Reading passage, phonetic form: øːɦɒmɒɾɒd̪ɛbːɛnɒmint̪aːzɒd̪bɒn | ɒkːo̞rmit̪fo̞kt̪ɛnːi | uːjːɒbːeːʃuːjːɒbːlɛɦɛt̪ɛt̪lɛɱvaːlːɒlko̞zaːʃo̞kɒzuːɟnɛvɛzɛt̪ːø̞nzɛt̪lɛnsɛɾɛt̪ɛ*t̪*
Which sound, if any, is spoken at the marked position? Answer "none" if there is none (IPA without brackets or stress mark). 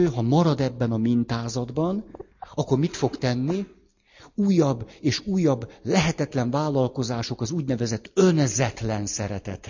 t̪